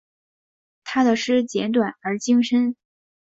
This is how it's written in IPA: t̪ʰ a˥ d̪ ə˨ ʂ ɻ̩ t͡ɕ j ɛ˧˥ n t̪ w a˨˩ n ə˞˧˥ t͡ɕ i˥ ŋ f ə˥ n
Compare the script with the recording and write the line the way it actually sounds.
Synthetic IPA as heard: t̪ʰ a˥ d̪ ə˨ ʂ ɻ̩ t͡ɕ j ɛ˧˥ n t̪ w a˨˩ n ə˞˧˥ t͡ɕ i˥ ŋ ʂ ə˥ n